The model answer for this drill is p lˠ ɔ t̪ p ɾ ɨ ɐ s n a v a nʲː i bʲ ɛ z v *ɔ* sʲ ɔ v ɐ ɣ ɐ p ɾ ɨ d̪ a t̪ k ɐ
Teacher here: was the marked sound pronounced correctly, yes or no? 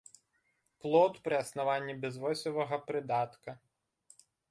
yes